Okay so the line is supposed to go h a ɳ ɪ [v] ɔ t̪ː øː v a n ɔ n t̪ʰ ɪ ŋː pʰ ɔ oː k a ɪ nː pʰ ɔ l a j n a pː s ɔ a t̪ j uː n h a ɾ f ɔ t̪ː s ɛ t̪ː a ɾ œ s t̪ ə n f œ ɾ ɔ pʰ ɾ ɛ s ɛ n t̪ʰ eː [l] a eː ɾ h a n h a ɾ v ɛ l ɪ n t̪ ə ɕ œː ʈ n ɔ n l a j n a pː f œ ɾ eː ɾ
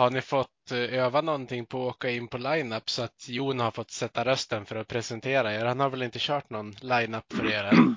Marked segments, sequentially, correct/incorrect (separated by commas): incorrect, incorrect